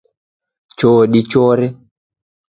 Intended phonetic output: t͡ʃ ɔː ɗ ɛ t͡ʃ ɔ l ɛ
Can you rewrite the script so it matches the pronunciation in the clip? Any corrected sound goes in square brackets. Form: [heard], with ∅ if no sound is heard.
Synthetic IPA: t͡ʃ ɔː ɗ [i] t͡ʃ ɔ [ɾ] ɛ

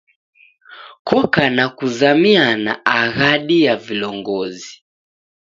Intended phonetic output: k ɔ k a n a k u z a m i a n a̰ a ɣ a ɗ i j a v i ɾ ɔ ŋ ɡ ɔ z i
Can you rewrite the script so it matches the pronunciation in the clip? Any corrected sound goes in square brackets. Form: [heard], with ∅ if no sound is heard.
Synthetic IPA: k ɔ k a n a k u z a m i a n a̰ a ɣ a ɗ i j a v i [l] ɔ ŋ ɡ ɔ z i

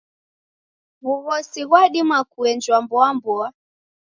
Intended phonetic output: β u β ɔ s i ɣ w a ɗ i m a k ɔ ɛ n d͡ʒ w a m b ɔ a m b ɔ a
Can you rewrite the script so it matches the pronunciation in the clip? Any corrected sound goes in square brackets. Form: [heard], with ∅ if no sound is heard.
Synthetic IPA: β u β ɔ s i ɣ w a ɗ i m a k [u] ɛ n d͡ʒ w a m b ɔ a m b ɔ a

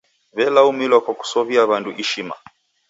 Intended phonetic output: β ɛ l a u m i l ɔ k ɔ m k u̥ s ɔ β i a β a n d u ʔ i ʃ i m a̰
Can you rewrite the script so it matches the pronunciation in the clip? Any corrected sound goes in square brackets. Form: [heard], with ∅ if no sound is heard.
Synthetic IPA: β ɛ l a u m i l ɔ k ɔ [∅] k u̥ s ɔ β i a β a n d u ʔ i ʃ i m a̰

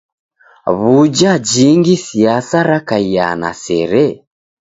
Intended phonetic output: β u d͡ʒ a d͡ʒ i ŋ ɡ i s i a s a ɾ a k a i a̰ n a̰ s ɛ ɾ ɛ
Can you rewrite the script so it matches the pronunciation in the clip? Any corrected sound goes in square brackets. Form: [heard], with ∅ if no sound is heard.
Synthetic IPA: β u d͡ʒ a d͡ʒ i ŋ ɡ i s i a s a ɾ a k a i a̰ n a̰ s ɛ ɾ ɛ

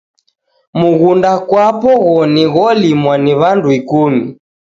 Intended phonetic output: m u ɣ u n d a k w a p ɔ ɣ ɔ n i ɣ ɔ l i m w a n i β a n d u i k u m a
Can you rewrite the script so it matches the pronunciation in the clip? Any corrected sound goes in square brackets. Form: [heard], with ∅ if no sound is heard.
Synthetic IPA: m u ɣ u n d a k w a p ɔ ɣ ɔ n i ɣ ɔ l i m w a n i β a n d u i k u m [i]

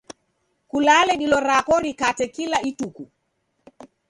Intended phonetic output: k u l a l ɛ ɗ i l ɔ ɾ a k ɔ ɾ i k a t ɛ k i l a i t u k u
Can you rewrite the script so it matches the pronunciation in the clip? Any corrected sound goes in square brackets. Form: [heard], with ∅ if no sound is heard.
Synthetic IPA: k u l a l ɛ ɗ i l ɔ ɾ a k ɔ ɾ i k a t ɛ k i l a i t u k u

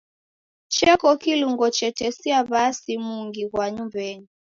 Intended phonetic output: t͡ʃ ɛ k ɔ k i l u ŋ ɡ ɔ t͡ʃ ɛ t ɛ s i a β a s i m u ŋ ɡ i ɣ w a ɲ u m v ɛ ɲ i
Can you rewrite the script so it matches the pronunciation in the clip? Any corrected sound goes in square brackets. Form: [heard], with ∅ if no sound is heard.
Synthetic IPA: t͡ʃ ɛ k ɔ k i l u ŋ ɡ ɔ t͡ʃ ɛ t ɛ s i a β a s i m u ŋ ɡ i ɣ w a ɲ u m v ɛ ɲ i

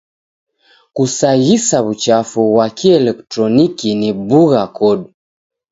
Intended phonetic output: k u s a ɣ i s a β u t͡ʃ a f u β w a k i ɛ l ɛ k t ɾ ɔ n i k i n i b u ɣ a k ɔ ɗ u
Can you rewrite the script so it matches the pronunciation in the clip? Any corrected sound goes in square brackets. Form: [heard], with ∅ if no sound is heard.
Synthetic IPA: k u s a ɣ i s a β u t͡ʃ a f u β w a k i ɛ l ɛ k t ɾ ɔ n i k i n i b u ɣ a k ɔ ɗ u

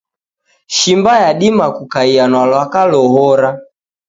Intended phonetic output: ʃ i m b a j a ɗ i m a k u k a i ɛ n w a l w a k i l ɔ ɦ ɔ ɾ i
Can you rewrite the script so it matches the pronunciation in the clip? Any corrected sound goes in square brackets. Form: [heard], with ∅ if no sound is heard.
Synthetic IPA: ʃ i m b a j a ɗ i m a k u k a i [a] n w a l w a k [a] l ɔ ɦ ɔ ɾ [a]

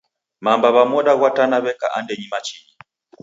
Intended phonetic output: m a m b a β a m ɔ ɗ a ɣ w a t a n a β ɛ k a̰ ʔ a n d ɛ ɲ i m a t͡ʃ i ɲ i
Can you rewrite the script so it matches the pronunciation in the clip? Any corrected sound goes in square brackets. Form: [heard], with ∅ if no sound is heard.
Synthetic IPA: m a m b a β a m ɔ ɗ a ɣ w a t a n a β ɛ k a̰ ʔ a n d ɛ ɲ i m a t͡ʃ i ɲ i

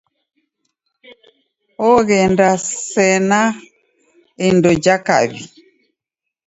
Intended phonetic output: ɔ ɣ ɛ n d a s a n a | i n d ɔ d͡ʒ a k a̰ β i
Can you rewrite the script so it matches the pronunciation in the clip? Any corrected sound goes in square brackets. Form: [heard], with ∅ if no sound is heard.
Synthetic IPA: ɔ ɣ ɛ n d a s [ɛ] n a | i n d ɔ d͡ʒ a k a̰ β i

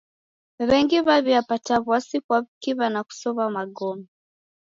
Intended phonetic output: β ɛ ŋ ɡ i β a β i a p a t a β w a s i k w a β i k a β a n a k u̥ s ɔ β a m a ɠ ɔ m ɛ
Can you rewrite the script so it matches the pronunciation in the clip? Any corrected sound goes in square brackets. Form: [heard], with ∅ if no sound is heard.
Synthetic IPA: β ɛ ŋ ɡ i β a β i a p a t a β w a s i k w a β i k [i] β a n a k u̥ s ɔ β a m a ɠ ɔ m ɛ

